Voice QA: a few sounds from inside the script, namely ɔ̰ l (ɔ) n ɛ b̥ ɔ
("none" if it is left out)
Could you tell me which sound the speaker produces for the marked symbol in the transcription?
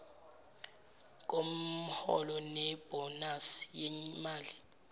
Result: ɔ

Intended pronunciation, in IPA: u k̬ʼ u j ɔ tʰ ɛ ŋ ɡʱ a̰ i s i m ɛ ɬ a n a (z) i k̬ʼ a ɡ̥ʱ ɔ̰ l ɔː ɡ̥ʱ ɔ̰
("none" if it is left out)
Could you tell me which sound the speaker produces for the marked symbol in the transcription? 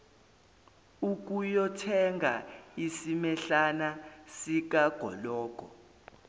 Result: s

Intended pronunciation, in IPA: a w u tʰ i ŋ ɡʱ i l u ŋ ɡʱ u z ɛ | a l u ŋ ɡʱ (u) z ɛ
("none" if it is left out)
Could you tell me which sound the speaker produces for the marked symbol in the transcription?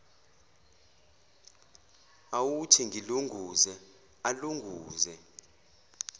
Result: uː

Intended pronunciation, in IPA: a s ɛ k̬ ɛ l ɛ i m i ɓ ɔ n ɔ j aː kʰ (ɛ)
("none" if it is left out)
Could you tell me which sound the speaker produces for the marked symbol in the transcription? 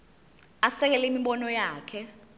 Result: ɛ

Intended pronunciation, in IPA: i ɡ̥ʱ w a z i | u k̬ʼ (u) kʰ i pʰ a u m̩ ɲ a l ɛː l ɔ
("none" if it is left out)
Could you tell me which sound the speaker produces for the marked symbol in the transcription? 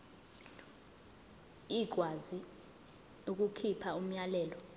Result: u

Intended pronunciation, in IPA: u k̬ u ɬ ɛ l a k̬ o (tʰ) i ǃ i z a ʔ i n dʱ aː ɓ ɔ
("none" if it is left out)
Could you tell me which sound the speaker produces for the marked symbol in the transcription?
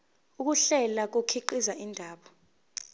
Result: kʰ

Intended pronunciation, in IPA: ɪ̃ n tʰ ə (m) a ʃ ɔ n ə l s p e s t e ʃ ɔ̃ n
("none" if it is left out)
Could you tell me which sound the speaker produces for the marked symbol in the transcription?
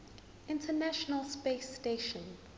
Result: n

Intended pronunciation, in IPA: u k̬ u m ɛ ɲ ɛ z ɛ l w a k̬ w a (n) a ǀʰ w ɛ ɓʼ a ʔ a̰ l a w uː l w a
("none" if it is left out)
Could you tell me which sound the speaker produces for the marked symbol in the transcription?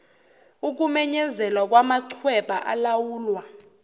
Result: m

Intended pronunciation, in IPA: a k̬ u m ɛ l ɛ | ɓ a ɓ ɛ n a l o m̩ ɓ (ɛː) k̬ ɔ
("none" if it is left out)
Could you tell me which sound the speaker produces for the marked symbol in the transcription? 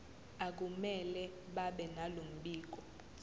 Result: iː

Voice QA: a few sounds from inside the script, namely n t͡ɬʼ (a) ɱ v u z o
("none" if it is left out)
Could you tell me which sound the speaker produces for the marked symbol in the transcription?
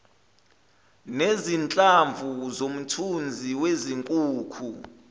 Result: a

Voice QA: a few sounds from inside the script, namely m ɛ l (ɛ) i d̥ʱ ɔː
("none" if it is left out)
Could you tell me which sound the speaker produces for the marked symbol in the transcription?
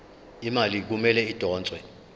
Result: ɛ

